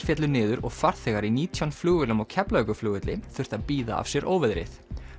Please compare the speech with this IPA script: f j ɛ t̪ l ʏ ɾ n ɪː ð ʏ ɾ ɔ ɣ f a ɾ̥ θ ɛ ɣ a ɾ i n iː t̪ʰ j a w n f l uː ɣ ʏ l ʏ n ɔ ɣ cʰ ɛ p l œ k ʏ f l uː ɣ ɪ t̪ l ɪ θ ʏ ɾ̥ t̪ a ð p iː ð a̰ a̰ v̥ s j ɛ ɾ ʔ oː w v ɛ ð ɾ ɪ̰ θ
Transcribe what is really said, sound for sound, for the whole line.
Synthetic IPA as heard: f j ɛ t̪ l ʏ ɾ n ɪː ð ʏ ɾ ɔ ɣ f a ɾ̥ θ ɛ ɣ a ɾ i n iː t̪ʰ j a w n f l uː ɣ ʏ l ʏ m ɔ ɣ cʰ ɛ p l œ k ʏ f l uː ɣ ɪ t̪ l ɪ θ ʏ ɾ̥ t̪ a ð p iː ð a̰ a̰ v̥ s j ɛ ɾ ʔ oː w v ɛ ð ɾ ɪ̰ θ